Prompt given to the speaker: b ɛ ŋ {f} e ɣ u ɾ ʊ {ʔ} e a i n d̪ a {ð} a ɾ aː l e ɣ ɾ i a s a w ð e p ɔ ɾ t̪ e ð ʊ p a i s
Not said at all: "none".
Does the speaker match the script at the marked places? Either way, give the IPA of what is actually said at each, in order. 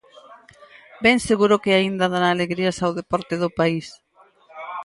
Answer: s, k, ð

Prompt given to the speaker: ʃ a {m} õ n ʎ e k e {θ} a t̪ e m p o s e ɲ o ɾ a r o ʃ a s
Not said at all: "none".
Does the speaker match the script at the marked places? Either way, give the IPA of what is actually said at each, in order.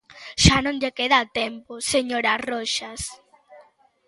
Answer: n, ð

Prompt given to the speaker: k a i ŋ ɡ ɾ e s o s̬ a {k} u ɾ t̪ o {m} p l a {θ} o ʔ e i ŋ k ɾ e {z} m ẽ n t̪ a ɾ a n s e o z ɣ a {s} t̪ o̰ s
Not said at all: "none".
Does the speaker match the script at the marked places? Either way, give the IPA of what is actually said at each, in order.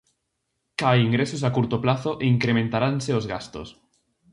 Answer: k, none, θ, none, s

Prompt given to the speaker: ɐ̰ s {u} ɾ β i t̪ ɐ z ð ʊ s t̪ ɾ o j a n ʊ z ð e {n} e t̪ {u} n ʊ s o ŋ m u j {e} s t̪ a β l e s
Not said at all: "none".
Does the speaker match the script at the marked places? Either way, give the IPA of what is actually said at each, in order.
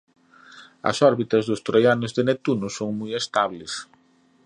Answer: ɔ, n, u, e

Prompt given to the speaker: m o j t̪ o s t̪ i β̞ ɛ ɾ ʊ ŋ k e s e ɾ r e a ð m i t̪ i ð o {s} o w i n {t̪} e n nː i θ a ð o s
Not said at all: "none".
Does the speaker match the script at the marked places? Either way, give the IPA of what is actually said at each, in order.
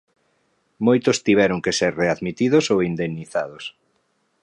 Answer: s, d̪

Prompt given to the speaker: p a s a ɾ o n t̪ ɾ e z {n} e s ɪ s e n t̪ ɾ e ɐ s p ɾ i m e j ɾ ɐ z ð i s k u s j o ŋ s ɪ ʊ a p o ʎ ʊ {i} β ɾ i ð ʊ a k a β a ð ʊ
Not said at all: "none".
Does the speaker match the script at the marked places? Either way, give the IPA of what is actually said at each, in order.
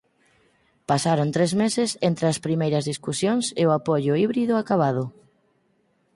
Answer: m, i

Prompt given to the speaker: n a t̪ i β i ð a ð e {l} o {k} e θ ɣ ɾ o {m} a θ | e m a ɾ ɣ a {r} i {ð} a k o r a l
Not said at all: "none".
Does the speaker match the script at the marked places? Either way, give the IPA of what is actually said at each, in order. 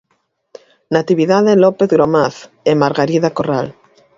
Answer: l, p, m, ɾ, ð

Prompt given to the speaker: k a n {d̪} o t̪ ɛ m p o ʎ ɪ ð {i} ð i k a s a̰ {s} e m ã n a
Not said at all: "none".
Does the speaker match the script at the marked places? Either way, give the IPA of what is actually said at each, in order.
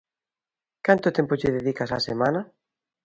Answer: t̪, e, s

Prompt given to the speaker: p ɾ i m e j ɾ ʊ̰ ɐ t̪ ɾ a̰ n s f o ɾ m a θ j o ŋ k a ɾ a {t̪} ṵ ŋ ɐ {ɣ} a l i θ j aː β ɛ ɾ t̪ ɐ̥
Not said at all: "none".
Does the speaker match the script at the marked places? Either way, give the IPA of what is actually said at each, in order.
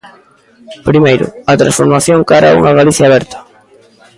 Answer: none, ɣ

